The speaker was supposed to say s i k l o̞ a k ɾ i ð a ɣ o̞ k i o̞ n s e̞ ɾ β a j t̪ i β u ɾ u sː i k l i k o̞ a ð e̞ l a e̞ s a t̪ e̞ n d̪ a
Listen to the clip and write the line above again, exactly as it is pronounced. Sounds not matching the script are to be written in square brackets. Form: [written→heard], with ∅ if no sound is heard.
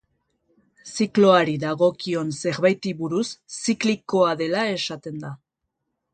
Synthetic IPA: s i k l o̞ a [k→∅] ɾ i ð a ɣ o̞ k i o̞ n s e̞ ɾ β a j t̪ i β u ɾ u sː i k l i k o̞ a ð e̞ l a e̞ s a t̪ e̞ n d̪ a